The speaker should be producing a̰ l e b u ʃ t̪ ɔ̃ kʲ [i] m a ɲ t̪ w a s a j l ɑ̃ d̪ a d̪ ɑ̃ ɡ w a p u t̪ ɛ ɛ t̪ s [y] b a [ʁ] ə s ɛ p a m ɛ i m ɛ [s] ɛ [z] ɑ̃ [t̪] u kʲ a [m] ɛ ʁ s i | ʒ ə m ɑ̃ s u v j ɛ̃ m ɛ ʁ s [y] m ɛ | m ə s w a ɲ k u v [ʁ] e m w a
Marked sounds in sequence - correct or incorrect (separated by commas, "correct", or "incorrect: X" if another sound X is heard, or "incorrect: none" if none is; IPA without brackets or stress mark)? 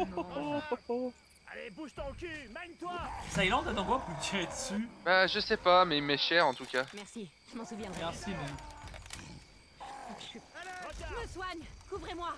incorrect: y, correct, incorrect: ʒ, incorrect: ʃ, incorrect: ʁ, correct, correct, incorrect: i, correct